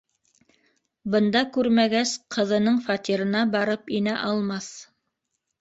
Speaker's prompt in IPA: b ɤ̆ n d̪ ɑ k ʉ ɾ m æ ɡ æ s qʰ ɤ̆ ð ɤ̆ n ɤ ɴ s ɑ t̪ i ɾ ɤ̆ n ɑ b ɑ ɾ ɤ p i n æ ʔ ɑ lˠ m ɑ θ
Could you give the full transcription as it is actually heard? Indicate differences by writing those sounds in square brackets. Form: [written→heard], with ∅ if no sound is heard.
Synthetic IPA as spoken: b ɤ̆ n d̪ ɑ k ʉ ɾ m æ ɡ æ s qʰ ɤ̆ ð ɤ̆ n ɤ ɴ [s→f] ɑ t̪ i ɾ ɤ̆ n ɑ b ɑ ɾ ɤ p i n æ ʔ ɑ lˠ m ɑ θ